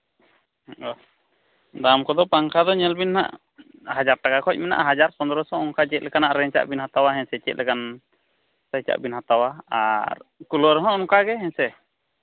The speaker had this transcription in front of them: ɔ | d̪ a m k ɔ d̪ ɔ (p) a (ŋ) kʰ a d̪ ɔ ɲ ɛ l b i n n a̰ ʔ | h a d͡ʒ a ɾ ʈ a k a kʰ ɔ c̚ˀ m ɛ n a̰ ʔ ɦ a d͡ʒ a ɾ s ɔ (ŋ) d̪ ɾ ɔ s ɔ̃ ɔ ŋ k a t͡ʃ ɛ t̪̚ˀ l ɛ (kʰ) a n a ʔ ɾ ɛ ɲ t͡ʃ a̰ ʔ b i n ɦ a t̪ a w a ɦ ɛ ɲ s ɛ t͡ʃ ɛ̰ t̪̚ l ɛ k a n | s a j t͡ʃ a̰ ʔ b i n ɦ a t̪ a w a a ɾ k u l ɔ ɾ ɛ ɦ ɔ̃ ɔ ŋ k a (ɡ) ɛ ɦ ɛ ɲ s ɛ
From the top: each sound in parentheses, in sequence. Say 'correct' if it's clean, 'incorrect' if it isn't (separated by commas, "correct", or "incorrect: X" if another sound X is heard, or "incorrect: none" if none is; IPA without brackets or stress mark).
correct, correct, incorrect: n, incorrect: k, correct